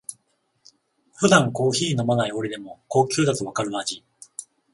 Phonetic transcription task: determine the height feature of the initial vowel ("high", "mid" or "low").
high